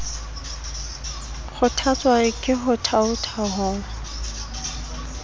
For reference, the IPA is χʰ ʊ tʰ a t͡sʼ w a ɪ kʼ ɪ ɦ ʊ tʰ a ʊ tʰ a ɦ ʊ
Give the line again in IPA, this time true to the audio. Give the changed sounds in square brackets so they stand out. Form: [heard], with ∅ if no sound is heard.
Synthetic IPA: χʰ ʊ tʰ a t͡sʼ w a ɪ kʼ ɪ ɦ ʊ tʰ a ʊ tʰ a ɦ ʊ